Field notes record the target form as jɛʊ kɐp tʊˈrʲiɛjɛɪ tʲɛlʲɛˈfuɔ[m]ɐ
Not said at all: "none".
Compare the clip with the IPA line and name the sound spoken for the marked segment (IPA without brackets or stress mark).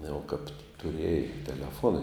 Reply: n